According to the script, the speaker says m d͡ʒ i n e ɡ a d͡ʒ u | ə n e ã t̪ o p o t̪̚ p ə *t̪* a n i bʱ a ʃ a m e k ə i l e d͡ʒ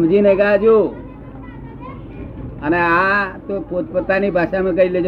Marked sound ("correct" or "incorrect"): correct